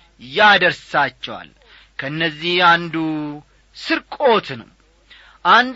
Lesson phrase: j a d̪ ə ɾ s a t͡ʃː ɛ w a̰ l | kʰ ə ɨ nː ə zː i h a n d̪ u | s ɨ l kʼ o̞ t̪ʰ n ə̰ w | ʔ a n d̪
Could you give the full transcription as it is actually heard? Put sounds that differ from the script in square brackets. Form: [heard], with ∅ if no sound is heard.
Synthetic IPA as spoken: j a d̪ ə ɾ s a t͡ʃː ɛ w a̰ l | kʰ ə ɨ nː ə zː i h a n d̪ u | s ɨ [ɾ] kʼ o̞ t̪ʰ n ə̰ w | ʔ a n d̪